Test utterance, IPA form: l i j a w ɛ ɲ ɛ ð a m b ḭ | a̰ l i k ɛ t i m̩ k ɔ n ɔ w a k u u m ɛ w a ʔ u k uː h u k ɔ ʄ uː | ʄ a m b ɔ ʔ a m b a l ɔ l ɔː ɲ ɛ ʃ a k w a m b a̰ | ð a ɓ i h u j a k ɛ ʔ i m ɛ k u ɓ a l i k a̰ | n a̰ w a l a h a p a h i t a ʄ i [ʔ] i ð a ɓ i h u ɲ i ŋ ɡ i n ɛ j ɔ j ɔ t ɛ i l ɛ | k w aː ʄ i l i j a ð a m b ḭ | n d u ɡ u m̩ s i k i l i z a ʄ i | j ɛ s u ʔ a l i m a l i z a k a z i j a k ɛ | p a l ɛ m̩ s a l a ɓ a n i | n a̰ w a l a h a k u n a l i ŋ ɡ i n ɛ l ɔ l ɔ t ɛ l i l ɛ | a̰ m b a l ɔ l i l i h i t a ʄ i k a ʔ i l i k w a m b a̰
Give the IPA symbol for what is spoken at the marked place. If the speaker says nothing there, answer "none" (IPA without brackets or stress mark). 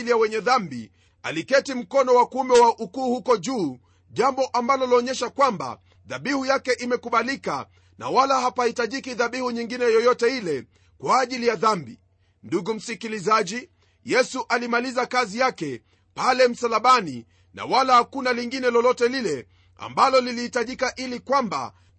k